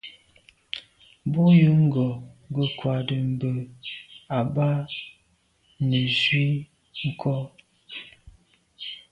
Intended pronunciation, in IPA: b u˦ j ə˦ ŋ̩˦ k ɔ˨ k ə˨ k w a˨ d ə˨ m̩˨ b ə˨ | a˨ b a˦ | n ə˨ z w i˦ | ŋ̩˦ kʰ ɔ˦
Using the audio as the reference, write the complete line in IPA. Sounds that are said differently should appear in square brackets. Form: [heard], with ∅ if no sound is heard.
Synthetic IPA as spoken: b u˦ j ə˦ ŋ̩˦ [ɡ] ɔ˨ [ɡ] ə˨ k w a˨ d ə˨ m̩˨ b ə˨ | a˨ b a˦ | n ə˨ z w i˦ | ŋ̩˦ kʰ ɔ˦